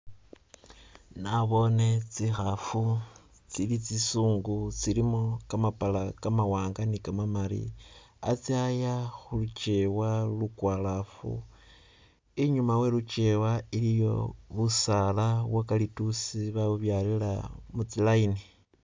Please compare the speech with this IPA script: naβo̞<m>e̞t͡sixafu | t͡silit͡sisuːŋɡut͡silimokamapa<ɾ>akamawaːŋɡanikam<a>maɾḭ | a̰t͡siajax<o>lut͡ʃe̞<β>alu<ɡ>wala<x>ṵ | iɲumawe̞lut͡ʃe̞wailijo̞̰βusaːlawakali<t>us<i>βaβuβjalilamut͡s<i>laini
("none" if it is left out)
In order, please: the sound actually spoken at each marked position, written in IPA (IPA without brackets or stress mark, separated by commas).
n, l, a, u, w, k, f, t, i, i